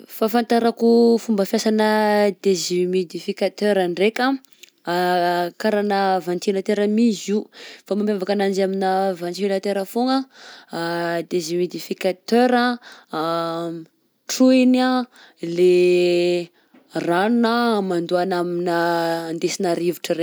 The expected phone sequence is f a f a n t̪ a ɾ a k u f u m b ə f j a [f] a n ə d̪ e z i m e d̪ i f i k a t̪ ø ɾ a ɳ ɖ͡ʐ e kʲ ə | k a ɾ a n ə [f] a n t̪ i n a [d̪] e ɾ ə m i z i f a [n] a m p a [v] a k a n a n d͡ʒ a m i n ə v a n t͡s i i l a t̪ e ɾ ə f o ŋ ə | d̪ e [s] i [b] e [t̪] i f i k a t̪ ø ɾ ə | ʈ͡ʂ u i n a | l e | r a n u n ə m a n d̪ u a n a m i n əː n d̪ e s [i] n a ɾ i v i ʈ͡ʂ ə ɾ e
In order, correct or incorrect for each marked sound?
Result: incorrect, incorrect, incorrect, incorrect, correct, incorrect, incorrect, incorrect, correct

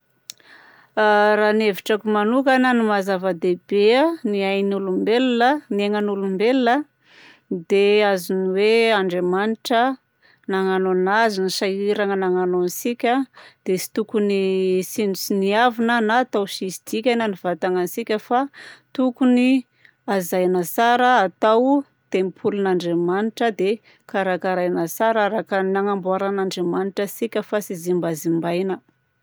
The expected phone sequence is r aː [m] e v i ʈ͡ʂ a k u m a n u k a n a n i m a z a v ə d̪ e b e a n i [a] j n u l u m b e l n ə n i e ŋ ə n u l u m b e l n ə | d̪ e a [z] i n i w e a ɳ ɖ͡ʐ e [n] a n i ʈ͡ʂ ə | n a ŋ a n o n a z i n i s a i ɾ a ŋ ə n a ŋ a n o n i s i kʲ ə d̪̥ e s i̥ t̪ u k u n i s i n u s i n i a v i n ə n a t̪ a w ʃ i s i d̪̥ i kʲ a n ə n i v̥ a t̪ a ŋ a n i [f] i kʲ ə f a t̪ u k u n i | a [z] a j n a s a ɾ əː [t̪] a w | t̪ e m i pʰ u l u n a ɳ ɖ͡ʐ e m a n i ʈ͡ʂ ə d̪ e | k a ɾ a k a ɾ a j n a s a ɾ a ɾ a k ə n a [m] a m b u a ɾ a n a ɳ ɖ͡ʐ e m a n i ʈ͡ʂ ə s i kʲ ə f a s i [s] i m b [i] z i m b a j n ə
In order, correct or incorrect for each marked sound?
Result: incorrect, correct, correct, incorrect, incorrect, correct, correct, incorrect, incorrect, incorrect

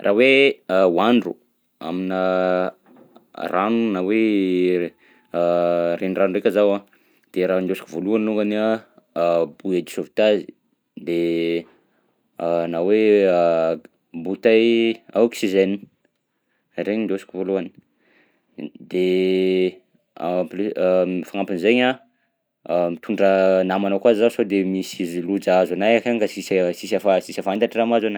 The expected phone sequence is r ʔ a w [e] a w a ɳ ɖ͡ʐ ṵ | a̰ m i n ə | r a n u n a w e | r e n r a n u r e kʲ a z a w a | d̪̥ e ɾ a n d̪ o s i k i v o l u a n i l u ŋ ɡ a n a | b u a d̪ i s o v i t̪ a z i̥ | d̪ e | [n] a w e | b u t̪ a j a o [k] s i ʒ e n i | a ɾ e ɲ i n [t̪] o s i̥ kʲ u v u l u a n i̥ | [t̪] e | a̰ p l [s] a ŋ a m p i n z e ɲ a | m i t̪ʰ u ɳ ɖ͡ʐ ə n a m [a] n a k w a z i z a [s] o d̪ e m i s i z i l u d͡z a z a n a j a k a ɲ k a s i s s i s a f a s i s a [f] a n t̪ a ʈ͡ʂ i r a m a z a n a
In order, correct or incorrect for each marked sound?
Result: correct, correct, correct, incorrect, incorrect, incorrect, correct, correct, correct

